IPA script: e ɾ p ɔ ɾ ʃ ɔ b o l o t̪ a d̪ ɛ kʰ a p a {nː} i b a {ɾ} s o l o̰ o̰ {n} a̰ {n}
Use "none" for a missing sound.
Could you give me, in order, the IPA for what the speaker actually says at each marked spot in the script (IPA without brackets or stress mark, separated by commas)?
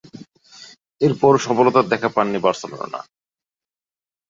nː, ɾ, n, none